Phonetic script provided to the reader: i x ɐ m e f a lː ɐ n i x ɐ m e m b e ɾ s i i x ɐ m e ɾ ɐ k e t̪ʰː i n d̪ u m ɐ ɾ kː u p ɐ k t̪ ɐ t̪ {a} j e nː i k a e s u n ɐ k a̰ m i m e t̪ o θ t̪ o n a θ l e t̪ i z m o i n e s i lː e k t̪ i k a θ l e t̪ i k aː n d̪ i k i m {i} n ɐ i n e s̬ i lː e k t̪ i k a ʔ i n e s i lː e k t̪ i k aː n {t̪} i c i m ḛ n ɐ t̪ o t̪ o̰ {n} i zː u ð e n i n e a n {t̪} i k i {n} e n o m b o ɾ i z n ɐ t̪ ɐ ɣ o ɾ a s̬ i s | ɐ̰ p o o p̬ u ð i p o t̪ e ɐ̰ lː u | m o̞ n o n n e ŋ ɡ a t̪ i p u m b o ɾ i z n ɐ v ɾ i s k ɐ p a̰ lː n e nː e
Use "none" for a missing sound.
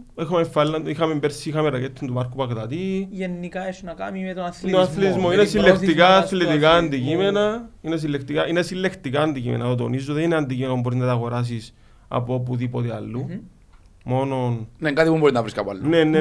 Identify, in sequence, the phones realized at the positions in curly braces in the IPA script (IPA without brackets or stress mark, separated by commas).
i, e, d̪, n, d̪, m